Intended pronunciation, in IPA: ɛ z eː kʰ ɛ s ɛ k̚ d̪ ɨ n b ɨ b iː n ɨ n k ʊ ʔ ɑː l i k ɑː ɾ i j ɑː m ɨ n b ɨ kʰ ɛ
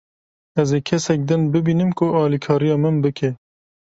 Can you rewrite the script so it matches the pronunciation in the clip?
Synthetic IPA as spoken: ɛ z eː kʰ ɛ s ɛ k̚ d̪ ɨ n b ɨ b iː n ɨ m k ʊ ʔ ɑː l i kʰ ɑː ɾ i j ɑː m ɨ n b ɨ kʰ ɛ